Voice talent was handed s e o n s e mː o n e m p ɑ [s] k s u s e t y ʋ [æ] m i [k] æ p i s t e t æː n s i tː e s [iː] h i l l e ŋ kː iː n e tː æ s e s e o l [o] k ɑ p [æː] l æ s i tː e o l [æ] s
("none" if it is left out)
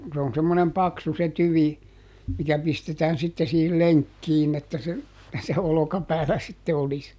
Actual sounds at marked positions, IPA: none, i, k, iː, o, æː, i

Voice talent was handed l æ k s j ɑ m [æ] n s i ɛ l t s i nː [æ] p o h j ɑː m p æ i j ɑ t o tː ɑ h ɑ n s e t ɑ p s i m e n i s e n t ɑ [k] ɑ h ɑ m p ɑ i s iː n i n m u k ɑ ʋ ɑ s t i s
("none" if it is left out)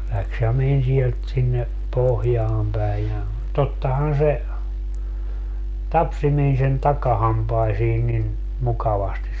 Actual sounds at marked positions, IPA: e, e, k

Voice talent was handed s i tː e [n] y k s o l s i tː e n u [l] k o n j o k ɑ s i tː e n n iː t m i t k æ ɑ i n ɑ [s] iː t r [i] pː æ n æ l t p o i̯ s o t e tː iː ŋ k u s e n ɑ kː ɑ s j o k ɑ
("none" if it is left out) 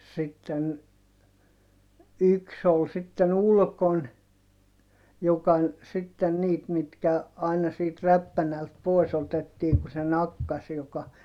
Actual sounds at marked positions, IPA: n, l, s, æ

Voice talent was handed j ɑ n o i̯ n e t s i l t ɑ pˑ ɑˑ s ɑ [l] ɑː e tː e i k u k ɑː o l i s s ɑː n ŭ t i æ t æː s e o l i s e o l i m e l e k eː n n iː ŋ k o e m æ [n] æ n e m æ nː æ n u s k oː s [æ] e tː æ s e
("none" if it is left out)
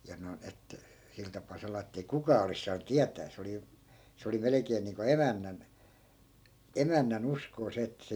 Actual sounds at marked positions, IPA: l, nː, e

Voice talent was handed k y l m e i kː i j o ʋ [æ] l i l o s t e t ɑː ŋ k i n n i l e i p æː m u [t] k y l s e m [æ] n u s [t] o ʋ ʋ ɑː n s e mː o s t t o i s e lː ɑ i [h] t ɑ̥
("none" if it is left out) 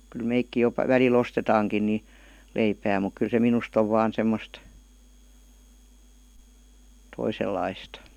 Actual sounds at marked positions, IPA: æ, k, i, t, s

